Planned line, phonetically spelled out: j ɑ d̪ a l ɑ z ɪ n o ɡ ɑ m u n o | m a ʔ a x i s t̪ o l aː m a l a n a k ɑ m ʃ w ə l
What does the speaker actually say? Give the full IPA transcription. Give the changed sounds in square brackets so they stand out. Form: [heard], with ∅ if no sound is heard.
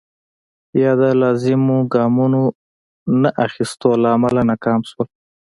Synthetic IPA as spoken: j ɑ d̪ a l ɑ z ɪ [m] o ɡ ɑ m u n o | [n] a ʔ a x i s t̪ o l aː m a l a n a k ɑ m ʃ w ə l